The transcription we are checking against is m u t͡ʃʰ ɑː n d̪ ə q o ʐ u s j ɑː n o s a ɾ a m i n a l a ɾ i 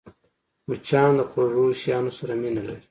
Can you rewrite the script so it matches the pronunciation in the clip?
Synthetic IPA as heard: m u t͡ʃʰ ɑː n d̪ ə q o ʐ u ʃ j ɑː n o s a ɾ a m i n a l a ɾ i